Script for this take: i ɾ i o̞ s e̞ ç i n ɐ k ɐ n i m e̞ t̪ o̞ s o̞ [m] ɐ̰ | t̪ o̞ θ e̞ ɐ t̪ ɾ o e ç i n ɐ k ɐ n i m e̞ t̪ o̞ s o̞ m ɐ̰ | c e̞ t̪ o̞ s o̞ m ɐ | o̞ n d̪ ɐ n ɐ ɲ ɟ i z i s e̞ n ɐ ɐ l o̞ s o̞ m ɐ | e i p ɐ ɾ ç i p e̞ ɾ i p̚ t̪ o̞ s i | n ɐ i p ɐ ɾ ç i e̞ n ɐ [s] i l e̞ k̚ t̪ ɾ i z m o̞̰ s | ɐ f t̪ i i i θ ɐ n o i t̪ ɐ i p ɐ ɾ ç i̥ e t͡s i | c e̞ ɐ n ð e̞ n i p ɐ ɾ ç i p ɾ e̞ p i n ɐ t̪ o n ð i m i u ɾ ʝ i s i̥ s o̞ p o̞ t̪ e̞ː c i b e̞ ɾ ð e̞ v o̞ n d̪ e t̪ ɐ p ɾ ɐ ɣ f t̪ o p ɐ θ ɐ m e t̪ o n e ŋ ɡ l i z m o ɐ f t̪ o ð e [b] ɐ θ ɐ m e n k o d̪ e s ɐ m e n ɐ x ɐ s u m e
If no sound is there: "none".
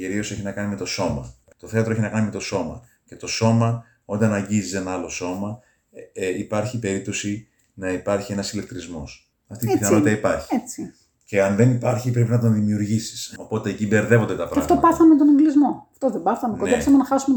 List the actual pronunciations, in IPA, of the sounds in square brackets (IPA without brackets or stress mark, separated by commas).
m, s, b